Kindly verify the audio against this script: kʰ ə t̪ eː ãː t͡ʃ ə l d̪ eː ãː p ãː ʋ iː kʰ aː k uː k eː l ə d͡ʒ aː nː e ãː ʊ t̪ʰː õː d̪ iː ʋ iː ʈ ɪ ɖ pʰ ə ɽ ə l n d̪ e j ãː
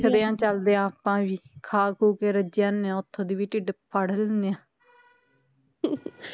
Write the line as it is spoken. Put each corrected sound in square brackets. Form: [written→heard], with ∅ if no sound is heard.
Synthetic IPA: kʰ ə [t̪→d̪] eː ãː t͡ʃ ə l d̪ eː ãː p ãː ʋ iː kʰ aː k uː k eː [l→ɾ] ə d͡ʒ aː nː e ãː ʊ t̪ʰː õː d̪ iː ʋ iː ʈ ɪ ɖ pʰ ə ɽ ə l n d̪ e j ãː